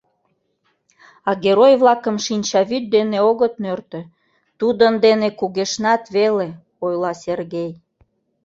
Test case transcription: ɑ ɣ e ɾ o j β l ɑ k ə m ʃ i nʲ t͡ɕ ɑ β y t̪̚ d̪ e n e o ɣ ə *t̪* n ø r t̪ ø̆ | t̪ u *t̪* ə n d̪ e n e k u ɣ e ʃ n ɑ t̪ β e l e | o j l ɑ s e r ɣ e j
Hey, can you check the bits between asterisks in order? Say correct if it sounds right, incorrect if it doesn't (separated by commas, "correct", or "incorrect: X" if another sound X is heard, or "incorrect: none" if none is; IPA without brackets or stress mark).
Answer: correct, incorrect: d̪